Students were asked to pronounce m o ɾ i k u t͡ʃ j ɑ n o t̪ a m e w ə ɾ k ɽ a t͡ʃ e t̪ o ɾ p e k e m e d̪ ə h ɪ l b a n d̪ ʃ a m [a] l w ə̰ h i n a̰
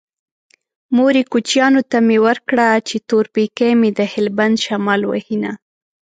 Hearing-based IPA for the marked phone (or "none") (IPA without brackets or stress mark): ɑ